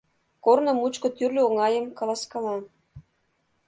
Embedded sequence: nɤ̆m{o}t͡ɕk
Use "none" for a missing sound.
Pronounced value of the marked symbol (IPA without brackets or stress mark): u